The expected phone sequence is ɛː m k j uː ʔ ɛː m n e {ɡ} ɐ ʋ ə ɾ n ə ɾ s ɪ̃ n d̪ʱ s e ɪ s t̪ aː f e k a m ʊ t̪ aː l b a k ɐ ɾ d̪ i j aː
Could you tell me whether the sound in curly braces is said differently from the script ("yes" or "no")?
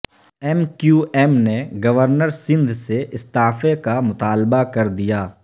no